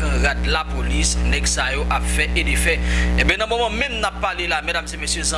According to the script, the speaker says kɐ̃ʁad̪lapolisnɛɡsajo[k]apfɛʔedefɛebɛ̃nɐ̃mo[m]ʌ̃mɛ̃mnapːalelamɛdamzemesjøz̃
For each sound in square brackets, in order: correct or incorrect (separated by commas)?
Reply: incorrect, correct